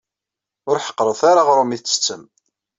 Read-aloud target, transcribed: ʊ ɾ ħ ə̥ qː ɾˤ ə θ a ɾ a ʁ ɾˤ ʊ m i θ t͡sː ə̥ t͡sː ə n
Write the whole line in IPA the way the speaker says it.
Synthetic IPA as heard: ʊ ɾ ħ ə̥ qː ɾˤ ə θ a ɾ a ʁ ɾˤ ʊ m i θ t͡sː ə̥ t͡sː ə m